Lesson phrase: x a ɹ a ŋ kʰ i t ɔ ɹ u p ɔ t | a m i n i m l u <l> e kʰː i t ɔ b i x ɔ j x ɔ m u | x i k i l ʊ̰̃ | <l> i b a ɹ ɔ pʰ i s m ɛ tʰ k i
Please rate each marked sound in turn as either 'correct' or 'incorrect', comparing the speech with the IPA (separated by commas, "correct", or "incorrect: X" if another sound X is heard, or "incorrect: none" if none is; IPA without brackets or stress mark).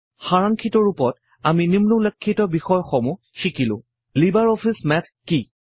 correct, correct